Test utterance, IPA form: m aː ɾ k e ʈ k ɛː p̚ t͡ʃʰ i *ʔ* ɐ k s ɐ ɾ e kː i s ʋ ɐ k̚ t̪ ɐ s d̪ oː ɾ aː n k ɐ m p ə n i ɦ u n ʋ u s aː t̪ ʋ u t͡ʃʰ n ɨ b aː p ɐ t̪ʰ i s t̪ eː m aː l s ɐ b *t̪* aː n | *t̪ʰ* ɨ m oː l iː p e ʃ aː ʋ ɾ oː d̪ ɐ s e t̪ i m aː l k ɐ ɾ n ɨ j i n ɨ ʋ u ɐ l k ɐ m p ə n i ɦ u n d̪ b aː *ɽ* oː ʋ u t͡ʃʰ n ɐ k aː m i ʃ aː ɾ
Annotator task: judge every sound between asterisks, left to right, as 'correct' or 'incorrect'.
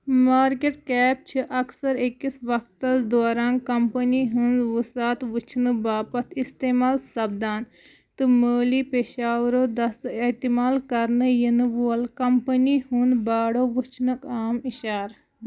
correct, incorrect, incorrect, correct

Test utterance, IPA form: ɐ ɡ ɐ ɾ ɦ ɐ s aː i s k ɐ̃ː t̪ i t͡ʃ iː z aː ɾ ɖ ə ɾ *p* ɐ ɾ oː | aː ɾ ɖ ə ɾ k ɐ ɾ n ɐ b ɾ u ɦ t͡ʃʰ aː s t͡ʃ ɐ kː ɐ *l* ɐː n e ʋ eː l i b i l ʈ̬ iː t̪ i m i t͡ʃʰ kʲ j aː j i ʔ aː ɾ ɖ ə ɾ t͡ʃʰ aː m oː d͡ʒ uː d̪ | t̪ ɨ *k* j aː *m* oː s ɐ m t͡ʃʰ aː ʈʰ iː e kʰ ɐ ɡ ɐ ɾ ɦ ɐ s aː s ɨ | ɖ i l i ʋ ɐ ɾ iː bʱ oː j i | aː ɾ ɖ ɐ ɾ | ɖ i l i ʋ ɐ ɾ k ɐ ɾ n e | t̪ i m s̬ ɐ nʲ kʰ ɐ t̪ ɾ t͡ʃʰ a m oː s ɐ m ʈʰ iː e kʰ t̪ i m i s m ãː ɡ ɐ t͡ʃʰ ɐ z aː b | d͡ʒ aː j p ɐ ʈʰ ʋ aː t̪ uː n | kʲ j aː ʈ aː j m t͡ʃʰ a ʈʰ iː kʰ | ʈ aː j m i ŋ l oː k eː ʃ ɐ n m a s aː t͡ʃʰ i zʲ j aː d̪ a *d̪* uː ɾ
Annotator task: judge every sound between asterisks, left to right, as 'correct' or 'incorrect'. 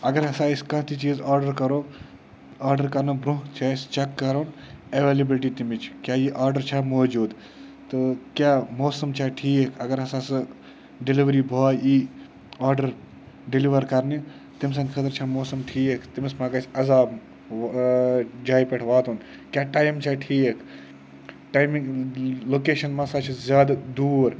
incorrect, incorrect, correct, correct, correct

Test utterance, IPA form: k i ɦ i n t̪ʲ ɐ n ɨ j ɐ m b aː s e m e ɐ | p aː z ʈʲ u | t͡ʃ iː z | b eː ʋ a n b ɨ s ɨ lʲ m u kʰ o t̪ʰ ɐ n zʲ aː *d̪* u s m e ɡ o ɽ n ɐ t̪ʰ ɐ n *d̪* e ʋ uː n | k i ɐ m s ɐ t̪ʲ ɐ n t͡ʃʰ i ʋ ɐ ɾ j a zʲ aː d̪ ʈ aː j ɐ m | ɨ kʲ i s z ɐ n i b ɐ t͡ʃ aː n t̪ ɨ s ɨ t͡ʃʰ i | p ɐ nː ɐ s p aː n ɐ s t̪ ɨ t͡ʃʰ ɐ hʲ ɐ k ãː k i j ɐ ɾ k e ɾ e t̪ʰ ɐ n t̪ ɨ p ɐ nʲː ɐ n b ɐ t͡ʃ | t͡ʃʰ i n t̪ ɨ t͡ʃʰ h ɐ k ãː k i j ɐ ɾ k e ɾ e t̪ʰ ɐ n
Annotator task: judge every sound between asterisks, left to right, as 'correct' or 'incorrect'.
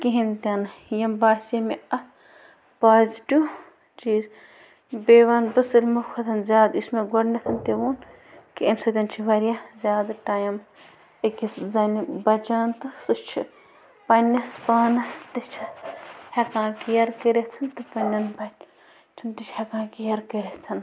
correct, incorrect

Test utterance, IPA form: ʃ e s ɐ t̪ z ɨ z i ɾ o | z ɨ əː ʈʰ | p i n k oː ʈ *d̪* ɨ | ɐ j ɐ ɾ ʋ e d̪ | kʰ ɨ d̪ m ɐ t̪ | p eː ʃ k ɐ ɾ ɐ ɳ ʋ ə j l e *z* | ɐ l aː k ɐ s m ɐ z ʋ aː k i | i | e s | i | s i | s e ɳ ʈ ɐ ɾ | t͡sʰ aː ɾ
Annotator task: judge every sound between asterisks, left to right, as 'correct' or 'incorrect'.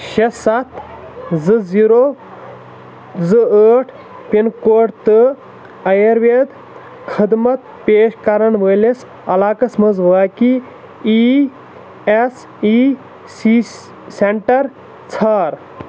incorrect, incorrect

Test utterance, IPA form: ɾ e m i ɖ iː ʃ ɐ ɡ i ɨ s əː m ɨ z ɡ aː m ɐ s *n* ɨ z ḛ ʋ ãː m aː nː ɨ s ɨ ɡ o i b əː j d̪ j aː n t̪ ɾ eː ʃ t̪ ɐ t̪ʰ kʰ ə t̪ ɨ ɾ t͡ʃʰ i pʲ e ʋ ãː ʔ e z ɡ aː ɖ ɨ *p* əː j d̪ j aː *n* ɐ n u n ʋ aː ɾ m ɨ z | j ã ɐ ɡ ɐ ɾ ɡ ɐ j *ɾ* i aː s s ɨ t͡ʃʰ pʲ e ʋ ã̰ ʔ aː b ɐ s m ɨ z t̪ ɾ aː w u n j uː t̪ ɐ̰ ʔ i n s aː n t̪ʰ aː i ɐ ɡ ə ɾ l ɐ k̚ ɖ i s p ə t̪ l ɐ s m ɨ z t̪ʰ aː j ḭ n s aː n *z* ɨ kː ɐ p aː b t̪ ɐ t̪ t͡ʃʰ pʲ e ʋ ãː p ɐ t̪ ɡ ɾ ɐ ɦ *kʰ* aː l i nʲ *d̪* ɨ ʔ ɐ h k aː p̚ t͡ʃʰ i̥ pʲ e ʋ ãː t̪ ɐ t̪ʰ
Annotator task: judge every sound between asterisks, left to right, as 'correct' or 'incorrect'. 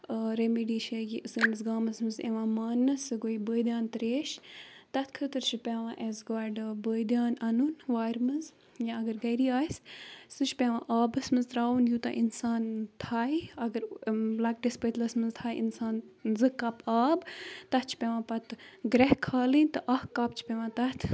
incorrect, incorrect, correct, correct, correct, correct, incorrect

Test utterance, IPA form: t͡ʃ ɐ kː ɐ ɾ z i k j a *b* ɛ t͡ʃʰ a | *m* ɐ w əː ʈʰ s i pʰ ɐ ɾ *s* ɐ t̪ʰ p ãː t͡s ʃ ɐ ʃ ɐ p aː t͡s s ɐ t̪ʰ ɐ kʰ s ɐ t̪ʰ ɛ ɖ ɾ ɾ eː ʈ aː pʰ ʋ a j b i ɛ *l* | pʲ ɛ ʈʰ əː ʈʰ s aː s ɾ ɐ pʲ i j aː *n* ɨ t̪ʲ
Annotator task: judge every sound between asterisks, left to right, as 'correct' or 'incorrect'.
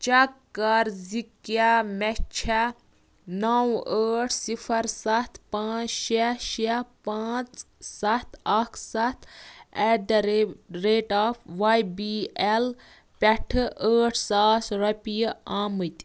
incorrect, incorrect, correct, correct, incorrect

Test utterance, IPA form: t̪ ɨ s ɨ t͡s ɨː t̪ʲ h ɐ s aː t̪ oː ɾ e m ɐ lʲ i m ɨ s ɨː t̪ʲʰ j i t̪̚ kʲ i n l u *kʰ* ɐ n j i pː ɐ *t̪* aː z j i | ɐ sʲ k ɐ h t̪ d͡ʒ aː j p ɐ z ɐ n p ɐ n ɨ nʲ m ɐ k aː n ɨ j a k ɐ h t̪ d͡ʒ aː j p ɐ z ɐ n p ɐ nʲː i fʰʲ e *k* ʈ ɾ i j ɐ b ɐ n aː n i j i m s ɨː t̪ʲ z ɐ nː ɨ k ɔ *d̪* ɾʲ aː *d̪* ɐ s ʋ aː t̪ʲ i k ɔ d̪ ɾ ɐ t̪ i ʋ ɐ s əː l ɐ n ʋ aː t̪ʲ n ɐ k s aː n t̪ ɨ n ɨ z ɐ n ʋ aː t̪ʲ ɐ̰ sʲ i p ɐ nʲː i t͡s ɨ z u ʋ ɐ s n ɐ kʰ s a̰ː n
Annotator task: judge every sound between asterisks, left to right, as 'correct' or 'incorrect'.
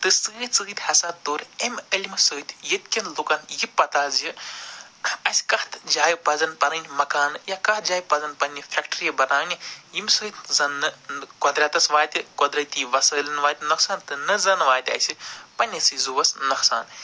incorrect, correct, correct, correct, incorrect

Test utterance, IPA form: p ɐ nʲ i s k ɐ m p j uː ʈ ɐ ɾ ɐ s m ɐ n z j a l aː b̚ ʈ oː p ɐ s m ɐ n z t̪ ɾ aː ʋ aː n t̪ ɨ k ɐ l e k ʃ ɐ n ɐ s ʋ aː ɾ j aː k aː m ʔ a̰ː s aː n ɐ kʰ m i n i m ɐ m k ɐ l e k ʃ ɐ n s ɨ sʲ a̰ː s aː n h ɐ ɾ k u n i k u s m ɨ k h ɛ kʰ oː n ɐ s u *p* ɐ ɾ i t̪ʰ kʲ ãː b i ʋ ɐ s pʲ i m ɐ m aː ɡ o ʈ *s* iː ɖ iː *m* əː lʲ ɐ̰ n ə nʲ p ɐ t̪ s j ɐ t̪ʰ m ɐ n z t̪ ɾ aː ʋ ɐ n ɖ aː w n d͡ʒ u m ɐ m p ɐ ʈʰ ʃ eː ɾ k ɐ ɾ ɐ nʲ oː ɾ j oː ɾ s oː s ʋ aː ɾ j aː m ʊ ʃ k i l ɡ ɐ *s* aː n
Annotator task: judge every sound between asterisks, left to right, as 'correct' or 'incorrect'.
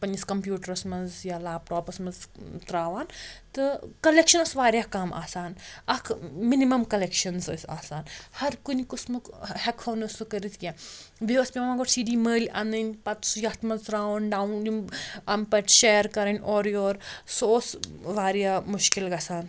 incorrect, correct, correct, correct

